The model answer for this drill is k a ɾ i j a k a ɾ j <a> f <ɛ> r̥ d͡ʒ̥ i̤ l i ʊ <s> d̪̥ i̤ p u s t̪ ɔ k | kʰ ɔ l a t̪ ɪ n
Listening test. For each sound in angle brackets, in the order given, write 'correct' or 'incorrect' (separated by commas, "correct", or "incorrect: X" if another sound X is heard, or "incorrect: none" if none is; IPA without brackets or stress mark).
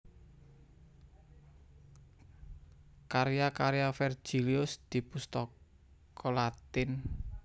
correct, correct, correct